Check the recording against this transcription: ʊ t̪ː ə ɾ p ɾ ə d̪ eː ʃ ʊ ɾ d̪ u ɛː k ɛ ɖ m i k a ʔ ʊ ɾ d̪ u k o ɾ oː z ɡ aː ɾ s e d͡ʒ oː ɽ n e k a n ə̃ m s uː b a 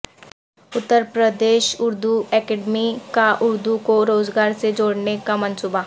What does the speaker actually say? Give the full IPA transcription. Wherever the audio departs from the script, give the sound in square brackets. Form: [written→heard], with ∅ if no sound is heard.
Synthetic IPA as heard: ʊ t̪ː ə ɾ p ɾ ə d̪ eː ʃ ʊ ɾ d̪ u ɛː k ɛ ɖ m i k a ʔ ʊ ɾ d̪ u k o ɾ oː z ɡ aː ɾ s e d͡ʒ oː ɽ n e k a [n→m] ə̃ [m→n] s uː b a